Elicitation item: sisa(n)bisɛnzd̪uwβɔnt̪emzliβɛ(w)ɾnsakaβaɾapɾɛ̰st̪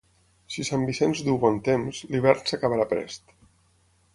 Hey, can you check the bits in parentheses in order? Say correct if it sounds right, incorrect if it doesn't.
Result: incorrect: m, incorrect: none

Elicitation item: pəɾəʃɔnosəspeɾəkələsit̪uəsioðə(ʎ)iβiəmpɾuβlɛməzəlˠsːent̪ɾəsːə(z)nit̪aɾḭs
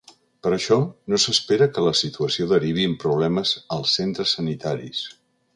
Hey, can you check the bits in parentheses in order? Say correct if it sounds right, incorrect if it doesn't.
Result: incorrect: ɾ, incorrect: none

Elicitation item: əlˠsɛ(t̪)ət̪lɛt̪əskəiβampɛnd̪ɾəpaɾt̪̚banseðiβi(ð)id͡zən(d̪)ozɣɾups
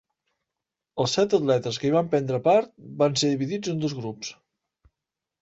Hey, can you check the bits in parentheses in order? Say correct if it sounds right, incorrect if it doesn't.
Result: correct, correct, correct

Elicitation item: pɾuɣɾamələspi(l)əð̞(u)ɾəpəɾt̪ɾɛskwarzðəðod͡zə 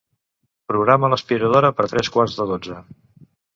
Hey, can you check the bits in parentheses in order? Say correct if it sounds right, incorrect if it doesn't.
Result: incorrect: ɾ, incorrect: o

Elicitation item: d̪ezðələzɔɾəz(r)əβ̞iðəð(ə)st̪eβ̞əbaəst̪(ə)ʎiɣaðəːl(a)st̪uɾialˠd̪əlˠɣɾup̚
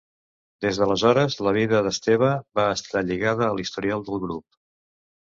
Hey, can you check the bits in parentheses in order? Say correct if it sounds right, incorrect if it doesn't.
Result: incorrect: l, correct, incorrect: a, incorrect: i

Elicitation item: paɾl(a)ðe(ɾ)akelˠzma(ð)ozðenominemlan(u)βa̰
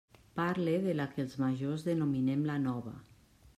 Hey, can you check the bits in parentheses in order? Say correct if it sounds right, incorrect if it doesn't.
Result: incorrect: e, incorrect: l, incorrect: ʒ, incorrect: ɔ

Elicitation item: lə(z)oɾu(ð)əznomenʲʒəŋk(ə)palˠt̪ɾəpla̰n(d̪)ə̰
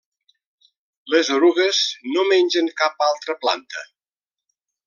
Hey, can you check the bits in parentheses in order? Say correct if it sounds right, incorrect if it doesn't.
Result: correct, incorrect: ɣ, incorrect: a, incorrect: t̪

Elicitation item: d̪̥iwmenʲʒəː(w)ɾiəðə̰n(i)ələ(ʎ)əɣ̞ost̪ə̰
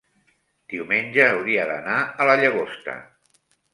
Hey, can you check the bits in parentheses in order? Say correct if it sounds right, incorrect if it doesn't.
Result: correct, incorrect: a, correct

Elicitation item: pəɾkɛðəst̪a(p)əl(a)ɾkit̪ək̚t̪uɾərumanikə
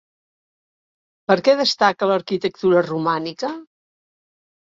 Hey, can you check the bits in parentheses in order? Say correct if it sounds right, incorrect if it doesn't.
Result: incorrect: k, incorrect: ə

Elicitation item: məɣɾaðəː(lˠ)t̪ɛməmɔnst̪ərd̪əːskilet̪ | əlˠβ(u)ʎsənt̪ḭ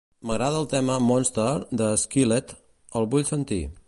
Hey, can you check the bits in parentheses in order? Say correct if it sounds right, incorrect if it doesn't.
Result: correct, correct

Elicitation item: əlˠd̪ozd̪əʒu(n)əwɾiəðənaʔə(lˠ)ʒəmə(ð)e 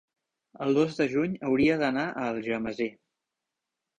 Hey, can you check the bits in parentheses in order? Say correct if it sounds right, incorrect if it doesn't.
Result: incorrect: ɲ, correct, incorrect: z

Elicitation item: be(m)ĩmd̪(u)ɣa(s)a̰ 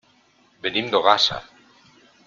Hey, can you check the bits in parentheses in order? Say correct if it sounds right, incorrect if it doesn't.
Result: incorrect: n, incorrect: o, correct

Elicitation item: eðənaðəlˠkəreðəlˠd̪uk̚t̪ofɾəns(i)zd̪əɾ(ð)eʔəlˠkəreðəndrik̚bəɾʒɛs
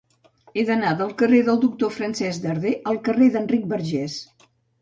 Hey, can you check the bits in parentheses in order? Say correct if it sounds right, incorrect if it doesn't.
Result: incorrect: ɛ, correct

